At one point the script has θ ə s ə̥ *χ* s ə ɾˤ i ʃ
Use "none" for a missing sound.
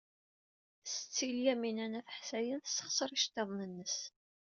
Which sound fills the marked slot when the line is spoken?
χ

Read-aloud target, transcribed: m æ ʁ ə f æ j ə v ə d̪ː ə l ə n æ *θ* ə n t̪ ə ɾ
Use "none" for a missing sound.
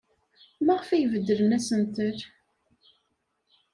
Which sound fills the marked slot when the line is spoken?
s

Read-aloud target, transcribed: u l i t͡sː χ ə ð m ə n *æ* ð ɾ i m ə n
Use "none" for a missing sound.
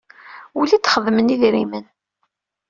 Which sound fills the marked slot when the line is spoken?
i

